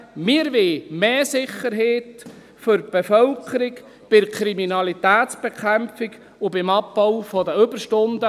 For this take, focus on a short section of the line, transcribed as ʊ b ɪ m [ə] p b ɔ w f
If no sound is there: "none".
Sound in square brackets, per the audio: ɑ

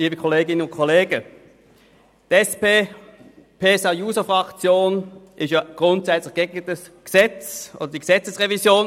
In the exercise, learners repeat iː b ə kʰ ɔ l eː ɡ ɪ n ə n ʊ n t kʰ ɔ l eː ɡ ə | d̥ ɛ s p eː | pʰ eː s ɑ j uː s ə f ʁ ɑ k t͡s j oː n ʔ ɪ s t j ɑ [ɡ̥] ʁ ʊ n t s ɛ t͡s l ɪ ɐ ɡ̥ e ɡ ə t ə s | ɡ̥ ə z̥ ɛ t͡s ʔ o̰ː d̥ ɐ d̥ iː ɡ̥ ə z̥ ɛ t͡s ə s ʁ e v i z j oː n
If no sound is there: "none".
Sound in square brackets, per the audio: ɡ̥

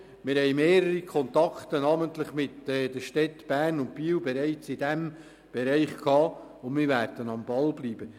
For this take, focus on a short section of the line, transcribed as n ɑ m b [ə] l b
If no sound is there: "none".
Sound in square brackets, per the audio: ɑ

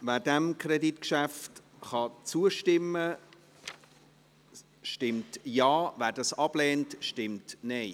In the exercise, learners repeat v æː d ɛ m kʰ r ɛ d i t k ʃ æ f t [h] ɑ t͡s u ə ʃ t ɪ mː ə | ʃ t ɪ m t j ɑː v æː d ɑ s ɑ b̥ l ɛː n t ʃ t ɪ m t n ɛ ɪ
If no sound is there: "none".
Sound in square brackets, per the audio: χ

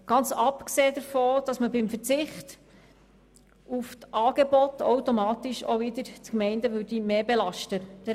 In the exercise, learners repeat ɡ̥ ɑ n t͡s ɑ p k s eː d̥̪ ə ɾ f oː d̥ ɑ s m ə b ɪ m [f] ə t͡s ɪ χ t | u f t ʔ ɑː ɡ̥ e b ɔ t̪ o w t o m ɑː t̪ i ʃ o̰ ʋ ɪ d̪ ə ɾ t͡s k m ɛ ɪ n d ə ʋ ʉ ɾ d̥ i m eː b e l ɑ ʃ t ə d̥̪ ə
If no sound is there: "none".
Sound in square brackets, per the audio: f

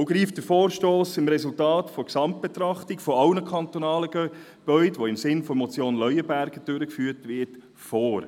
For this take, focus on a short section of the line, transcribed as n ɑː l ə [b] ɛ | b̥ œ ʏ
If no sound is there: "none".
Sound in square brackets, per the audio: ɡ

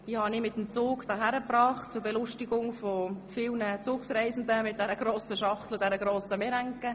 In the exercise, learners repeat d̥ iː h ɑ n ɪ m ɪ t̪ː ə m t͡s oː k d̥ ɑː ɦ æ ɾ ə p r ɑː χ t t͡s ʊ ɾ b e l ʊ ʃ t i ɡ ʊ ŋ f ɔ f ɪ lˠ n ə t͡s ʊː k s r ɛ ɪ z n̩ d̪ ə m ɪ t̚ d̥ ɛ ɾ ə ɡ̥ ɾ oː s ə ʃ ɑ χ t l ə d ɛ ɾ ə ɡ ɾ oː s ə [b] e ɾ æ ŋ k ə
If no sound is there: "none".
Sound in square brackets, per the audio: m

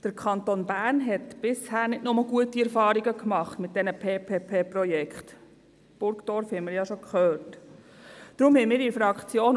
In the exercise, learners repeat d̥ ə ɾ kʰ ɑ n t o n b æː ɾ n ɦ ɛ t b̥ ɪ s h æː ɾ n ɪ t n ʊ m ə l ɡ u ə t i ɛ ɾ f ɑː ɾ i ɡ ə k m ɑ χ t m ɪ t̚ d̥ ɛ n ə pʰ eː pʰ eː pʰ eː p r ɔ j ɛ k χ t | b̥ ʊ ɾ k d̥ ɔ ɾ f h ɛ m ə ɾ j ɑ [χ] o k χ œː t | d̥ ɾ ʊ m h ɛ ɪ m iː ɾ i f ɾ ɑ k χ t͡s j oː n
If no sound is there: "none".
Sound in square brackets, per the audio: ʃ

